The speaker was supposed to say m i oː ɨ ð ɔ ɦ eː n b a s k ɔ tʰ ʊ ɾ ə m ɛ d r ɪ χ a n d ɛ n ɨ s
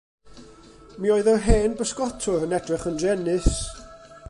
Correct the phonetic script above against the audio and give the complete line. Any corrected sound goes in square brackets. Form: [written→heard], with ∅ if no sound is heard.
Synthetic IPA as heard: m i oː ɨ ð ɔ ɦ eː n b [a→ə] s k ɔ tʰ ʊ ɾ ə [m→n] ɛ d r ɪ χ [a→ə] n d ɛ n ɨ s